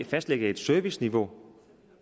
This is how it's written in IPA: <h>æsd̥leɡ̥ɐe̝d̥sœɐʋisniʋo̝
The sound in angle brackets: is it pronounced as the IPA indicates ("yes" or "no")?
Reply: no